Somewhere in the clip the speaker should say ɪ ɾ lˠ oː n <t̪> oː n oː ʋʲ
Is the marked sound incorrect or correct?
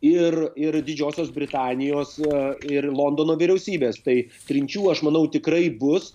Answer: incorrect